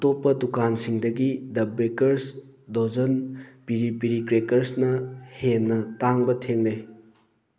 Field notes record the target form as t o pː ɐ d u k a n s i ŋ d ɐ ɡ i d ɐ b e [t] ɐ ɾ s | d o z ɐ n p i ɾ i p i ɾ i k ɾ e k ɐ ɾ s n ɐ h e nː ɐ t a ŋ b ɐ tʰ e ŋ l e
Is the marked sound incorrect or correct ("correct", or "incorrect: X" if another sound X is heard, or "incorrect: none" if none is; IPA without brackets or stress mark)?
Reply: incorrect: k